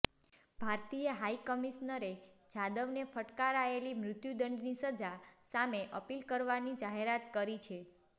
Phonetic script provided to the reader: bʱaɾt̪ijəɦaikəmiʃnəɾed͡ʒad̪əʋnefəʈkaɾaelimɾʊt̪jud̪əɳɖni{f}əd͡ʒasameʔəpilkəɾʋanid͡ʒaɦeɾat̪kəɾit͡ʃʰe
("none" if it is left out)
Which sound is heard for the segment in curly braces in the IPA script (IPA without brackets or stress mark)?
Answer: s